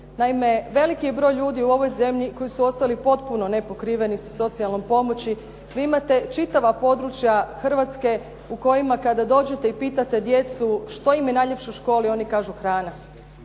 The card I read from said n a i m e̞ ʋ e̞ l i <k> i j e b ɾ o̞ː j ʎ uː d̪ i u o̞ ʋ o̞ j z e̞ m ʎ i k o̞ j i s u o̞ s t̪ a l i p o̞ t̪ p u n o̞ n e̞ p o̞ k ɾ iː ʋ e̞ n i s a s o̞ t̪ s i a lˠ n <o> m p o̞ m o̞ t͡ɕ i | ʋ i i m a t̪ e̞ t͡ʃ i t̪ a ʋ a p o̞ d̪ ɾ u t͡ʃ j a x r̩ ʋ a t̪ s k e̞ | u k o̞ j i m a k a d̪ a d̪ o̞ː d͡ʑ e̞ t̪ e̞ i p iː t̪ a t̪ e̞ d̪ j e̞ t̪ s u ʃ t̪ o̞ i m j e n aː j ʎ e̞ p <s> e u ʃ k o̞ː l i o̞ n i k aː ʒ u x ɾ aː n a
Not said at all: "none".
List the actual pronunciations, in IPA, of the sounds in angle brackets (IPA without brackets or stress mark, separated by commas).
k, o, ʃ